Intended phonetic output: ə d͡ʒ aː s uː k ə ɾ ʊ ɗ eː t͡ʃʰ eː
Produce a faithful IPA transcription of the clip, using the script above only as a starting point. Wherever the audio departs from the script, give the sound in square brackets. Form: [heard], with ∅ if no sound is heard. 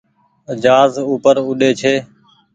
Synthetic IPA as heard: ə d͡ʒ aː [z] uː [p] ə ɾ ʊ ɗ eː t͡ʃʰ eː